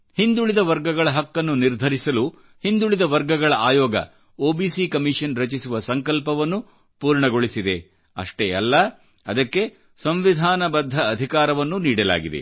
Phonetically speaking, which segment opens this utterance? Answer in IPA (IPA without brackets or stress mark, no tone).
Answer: h